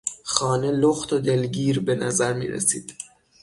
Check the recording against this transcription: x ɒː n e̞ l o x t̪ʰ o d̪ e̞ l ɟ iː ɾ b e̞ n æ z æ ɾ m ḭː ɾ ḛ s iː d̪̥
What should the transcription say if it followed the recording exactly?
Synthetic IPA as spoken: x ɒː n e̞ l o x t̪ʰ o d̪ e̞ l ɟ iː ɾ b e̞ n æ z æ ɾ m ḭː ɾ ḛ s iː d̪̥